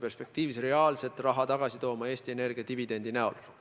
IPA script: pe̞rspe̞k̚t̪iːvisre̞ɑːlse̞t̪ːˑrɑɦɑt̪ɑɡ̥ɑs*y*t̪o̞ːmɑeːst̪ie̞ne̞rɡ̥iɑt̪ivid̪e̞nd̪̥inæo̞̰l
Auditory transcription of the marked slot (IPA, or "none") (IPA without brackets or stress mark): i